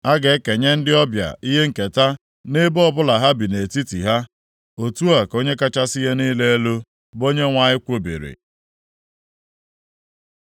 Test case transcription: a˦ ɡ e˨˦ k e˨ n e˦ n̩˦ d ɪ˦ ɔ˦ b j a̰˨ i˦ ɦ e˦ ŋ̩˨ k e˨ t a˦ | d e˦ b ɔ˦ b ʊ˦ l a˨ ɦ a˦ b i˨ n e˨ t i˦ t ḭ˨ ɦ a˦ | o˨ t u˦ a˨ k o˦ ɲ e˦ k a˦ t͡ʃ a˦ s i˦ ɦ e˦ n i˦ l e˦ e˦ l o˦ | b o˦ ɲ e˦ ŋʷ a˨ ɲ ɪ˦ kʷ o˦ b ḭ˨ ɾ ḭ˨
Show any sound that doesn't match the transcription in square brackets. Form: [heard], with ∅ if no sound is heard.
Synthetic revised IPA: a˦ ɡ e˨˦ k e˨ [ɲ] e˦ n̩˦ d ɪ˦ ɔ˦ b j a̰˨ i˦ ɦ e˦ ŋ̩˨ k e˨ t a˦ | [n] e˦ b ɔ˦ b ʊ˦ l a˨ ɦ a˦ b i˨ n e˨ t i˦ t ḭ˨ ɦ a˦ | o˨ t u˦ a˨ k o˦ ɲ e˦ k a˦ t͡ʃ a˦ s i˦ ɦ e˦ n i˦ l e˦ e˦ l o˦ | b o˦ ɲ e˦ ŋʷ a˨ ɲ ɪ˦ kʷ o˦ b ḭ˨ ɾ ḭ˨

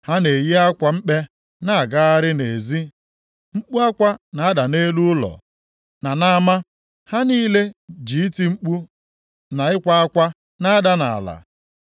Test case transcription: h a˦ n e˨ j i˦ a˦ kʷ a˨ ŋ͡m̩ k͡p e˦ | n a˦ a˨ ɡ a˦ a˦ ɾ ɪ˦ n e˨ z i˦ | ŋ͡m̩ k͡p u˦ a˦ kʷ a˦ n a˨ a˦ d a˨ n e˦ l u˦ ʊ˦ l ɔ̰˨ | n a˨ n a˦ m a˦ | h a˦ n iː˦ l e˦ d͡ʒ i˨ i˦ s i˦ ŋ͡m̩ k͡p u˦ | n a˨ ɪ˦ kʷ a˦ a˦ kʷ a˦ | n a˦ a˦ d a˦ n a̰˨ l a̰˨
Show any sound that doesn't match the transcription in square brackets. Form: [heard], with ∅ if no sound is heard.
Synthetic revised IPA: h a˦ n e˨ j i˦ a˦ kʷ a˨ ŋ͡m̩ k͡p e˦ | n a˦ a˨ ɡ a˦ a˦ ɾ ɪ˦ n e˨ z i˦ | ŋ͡m̩ k͡p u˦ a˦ kʷ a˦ n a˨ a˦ d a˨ n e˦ l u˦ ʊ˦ l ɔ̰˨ | n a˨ n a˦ m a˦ | h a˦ n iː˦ l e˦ d͡ʒ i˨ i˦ [t] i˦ ŋ͡m̩ k͡p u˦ | n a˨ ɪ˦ kʷ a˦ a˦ kʷ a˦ | n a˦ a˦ d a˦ n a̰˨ l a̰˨

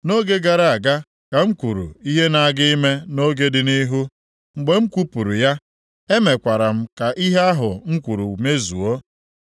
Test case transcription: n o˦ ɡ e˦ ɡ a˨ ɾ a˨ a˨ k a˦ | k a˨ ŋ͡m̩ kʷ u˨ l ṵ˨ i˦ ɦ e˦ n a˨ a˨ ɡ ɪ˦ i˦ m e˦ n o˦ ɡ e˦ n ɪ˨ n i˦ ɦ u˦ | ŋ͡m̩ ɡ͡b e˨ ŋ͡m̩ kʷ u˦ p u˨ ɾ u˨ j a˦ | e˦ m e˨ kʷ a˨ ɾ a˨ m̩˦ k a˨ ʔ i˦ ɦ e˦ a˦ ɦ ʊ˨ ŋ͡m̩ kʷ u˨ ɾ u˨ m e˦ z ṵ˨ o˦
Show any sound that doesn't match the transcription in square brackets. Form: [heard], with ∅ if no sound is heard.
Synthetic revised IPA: n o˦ ɡ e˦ ɡ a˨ ɾ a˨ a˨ [ɡ] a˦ | k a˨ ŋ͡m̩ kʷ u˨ [ɾ] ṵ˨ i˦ ɦ e˦ n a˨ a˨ ɡ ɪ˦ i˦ m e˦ n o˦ ɡ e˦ [d] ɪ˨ n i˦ ɦ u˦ | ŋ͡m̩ ɡ͡b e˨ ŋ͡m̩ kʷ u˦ p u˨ ɾ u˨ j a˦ | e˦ m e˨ kʷ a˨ ɾ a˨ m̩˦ k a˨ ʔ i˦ ɦ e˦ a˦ ɦ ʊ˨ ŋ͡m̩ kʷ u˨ ɾ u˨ m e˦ z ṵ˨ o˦

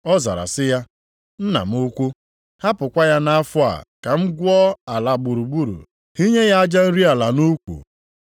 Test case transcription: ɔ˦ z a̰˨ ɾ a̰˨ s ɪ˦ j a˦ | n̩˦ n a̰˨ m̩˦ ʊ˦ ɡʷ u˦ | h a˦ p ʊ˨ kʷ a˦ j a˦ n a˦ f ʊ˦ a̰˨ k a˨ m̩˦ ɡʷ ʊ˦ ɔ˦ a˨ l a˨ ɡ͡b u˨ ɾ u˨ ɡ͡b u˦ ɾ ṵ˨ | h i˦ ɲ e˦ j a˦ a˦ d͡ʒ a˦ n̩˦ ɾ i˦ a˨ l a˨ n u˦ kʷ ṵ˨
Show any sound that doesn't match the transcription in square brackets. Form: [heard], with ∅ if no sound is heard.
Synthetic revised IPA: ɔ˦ z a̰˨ ɾ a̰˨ s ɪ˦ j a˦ | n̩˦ n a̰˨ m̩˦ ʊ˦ [kʷ] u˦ | h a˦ p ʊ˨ kʷ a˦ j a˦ n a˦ f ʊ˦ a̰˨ k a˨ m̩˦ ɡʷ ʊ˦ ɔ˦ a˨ l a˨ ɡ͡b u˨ ɾ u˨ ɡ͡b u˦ ɾ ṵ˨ | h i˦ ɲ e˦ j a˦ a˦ d͡ʒ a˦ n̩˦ ɾ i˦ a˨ l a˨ n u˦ kʷ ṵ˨

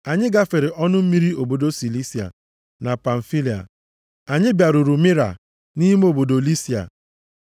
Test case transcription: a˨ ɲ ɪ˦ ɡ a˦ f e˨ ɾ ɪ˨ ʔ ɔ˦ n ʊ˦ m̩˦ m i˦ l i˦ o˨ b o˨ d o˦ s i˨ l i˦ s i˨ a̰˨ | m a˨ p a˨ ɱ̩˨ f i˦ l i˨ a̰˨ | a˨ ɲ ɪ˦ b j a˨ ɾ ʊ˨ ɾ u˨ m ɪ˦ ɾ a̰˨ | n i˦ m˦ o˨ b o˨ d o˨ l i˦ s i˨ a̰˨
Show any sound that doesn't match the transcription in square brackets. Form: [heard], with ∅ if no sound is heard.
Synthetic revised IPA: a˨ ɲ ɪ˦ ɡ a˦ f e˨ ɾ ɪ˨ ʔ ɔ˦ n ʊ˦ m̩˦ m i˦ [ɾ] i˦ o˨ b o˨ d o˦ s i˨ l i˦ s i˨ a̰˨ | [n] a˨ p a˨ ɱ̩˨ f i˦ l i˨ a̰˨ | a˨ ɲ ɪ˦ b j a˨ ɾ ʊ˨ ɾ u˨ m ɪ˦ ɾ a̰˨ | n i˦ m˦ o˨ b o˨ d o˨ l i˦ s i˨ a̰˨

